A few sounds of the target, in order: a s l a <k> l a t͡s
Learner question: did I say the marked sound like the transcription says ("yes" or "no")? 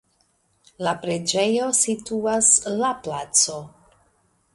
no